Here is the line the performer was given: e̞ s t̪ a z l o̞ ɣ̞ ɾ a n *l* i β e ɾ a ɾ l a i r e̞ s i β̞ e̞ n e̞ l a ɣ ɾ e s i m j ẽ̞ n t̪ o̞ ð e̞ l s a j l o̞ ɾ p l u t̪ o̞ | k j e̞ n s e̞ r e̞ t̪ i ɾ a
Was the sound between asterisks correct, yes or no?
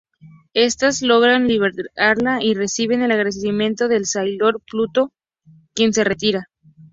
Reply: yes